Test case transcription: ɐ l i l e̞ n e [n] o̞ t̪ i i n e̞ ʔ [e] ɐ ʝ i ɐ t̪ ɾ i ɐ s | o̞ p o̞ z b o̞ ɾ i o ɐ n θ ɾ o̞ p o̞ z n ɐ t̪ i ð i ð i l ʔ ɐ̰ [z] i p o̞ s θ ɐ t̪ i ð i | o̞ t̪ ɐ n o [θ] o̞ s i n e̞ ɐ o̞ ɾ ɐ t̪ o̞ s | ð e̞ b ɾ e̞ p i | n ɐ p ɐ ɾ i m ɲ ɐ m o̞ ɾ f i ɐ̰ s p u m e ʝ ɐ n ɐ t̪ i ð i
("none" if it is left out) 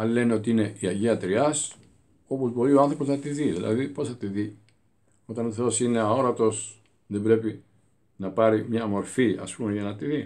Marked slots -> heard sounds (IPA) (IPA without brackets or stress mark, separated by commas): none, i, ð, θ